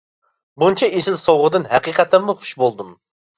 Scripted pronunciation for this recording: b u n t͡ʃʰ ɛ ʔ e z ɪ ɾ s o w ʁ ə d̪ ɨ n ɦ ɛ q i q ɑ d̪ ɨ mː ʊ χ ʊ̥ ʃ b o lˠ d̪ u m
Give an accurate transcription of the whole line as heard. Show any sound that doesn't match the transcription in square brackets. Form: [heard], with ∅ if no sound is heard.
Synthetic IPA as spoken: b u n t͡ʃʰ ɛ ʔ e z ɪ [l] s o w ʁ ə d̪ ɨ n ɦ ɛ q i q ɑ [t̪] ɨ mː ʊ χ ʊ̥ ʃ b o lˠ d̪ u m